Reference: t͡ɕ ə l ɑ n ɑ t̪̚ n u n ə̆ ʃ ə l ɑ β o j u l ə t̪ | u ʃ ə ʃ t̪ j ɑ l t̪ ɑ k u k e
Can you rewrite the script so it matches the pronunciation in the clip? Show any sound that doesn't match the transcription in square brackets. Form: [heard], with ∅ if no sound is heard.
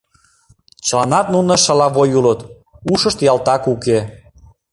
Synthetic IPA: t͡ɕ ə l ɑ n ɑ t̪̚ n u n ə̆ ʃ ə l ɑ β o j u l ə t̪ | u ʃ ə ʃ t̪ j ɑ l t̪ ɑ k u k e